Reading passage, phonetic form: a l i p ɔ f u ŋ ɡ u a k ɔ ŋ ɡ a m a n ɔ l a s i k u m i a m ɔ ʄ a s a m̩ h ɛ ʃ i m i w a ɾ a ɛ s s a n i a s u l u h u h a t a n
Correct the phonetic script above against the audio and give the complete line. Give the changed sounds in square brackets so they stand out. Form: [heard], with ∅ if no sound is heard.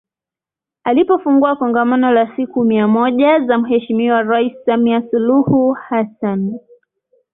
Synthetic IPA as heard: a l i p ɔ f u ŋ ɡ u a k ɔ ŋ ɡ a m a n ɔ l a s i k u m i a m ɔ ʄ a [z] a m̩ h ɛ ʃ i m i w a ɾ a [i] s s a [m] i a s u l u h u h a [s] a n